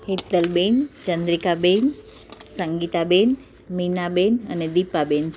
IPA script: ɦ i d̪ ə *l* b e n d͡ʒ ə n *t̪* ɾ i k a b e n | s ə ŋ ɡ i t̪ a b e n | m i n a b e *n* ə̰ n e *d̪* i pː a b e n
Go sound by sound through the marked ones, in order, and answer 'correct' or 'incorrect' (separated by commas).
correct, incorrect, correct, correct